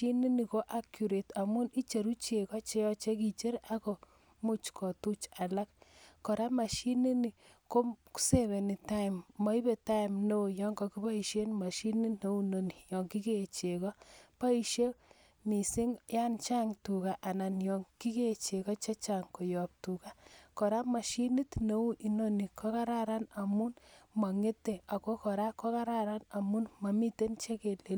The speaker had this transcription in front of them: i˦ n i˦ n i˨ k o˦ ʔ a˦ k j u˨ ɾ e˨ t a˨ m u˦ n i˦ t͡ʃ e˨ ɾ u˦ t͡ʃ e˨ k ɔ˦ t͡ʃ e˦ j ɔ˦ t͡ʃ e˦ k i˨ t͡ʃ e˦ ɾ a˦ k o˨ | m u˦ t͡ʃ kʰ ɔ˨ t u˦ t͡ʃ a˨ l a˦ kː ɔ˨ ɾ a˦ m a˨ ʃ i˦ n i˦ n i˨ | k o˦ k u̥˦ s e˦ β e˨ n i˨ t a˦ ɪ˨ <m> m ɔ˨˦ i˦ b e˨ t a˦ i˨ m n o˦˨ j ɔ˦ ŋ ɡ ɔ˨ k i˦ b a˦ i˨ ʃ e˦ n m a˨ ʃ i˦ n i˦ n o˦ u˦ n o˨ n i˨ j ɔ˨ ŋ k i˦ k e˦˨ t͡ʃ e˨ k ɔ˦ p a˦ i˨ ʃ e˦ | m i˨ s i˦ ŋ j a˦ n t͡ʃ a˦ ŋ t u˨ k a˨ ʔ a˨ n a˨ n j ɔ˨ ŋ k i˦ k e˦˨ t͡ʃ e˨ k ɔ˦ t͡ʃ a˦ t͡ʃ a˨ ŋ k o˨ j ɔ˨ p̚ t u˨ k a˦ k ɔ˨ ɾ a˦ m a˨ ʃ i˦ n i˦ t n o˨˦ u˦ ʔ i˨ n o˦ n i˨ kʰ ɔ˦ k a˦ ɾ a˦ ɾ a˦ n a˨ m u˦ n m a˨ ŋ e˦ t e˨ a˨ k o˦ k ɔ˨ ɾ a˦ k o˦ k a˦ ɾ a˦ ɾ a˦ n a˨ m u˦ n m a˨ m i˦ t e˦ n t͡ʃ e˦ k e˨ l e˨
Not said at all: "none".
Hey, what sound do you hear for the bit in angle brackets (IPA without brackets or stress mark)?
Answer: m